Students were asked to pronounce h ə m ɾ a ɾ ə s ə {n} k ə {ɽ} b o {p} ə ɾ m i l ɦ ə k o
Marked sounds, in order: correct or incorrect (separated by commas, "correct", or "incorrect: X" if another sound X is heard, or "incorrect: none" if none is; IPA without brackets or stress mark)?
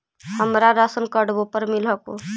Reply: correct, correct, correct